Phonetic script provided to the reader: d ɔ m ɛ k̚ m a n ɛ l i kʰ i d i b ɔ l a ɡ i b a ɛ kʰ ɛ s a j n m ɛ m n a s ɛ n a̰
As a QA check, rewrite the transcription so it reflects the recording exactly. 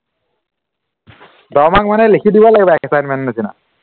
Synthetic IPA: d ɔ m a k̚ m a n ɛ l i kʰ i d i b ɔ l a ɡ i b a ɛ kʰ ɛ s a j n m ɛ n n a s i n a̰